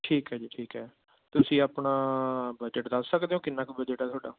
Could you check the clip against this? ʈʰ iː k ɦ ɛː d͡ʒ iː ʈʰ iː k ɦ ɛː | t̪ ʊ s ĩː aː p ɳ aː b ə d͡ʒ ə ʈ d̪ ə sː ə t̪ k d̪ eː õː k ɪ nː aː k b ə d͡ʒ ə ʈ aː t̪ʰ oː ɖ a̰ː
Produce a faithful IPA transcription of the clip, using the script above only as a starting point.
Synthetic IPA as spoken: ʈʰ iː k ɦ ɛː d͡ʒ iː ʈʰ iː k ɦ ɛː | t̪ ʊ s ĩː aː p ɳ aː b ə d͡ʒ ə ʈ d̪ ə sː ə k d̪ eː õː k ɪ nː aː k b ə d͡ʒ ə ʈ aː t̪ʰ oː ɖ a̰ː

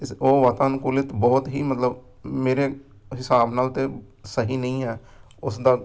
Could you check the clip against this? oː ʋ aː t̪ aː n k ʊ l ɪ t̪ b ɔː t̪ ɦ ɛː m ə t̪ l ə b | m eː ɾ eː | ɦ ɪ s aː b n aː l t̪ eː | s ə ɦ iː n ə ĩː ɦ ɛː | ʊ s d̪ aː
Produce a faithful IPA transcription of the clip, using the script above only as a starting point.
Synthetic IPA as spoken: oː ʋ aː t̪ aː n k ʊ l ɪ t̪ b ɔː t̪ ɦ iː m ə t̪ l ə b | m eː ɾ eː | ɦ ɪ s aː b n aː l t̪ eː | s ə ɦ iː n ə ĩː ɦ ɛː | ʊ s d̪ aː

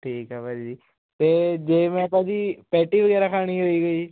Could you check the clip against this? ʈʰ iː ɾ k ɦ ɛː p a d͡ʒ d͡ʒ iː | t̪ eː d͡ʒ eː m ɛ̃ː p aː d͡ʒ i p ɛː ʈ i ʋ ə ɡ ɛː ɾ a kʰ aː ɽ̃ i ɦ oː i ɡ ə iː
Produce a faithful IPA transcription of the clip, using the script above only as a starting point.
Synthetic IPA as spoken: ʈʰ iː k ɦ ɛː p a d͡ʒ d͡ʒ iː | t̪ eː d͡ʒ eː m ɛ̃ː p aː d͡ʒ i p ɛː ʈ i ʋ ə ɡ ɛː ɾ a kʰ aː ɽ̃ i ɦ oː i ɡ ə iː

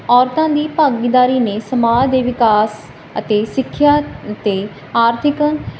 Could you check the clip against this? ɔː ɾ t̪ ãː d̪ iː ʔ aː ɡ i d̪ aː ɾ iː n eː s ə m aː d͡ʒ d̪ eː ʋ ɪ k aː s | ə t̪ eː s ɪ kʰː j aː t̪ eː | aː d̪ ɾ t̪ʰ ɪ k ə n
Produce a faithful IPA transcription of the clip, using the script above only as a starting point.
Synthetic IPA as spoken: ɔː ɾ t̪ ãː d̪ iː p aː ɡ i d̪ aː ɾ iː n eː s ə m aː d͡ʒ d̪ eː ʋ ɪ k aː s | ə t̪ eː s ɪ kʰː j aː t̪ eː | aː ɾ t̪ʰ ɪ k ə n

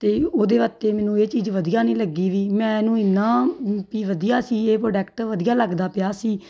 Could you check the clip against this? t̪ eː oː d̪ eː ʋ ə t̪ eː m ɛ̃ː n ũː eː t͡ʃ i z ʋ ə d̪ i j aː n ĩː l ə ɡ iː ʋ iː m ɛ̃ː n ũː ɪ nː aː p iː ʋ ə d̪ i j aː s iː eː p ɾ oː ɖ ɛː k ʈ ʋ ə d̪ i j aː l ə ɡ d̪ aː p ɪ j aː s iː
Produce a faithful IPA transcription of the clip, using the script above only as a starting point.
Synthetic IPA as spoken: t̪ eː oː d̪ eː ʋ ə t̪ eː m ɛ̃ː n ũː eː t͡ʃ iː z ʋ ə d̪ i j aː n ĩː l ə ɡ iː ʋ iː m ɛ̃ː n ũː ɪ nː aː p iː ʋ ə d̪ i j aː s iː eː p ɾ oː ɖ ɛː k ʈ ʋ ə d̪ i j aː l ə ɡ d̪ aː p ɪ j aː s iː

